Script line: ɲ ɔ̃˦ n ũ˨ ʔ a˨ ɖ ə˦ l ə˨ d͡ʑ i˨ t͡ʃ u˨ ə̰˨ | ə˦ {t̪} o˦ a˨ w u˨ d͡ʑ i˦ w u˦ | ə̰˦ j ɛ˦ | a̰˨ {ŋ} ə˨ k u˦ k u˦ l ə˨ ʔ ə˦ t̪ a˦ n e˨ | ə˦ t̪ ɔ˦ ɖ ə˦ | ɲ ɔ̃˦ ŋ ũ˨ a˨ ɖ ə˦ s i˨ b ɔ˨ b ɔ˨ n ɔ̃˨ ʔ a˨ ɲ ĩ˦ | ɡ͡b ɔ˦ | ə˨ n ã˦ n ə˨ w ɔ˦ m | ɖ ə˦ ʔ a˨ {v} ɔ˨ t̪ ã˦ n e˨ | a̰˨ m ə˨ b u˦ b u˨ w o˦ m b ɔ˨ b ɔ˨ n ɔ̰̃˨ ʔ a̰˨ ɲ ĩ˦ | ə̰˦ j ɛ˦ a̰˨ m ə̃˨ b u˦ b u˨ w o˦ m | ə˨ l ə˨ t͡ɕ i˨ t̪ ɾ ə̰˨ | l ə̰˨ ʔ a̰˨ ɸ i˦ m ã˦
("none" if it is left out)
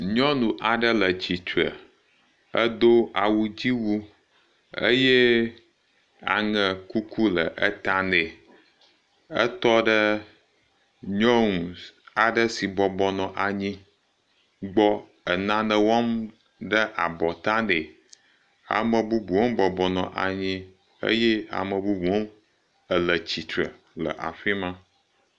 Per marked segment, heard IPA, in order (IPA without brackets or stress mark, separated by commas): d̪, ŋ, b